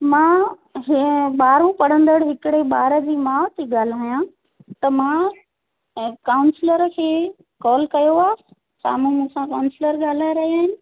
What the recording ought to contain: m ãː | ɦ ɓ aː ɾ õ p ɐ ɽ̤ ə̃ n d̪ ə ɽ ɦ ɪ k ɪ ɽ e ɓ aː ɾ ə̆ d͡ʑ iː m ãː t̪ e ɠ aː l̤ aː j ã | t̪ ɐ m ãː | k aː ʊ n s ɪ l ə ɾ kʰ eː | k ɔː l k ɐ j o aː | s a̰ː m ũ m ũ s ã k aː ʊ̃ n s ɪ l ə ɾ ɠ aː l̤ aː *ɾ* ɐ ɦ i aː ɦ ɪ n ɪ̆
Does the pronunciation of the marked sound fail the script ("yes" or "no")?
no